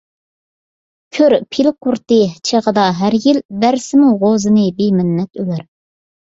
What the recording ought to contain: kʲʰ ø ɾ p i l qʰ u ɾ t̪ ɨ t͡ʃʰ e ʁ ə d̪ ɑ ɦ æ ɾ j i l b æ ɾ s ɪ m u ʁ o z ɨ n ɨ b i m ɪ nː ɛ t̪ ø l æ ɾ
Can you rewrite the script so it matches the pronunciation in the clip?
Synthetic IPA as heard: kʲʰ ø ɾ pʰ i l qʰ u ɾ t̪ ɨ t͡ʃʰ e ʁ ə d̪ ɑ ɦ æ ɾ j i l b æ ɾ s ɪ m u ʁ o z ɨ n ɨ b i m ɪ nː ɛ t̪ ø l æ ɾ